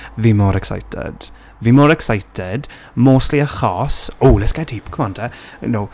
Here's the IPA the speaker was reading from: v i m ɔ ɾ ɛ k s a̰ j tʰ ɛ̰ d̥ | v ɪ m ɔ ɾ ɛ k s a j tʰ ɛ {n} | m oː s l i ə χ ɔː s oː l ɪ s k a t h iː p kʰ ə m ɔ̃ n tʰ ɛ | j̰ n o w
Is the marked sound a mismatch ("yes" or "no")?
yes